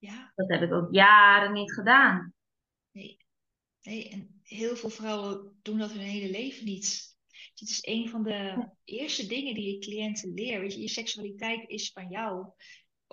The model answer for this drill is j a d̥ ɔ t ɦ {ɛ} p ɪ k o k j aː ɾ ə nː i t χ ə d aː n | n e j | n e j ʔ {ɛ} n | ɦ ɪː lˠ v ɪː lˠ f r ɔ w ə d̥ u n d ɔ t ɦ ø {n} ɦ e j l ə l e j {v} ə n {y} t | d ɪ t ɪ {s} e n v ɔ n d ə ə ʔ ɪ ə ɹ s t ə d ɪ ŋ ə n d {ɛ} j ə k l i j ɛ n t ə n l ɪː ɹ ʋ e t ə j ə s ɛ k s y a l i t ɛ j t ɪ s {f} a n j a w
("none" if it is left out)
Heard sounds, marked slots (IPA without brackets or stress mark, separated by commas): ɛ, ɛ, n, v, i, s, i, f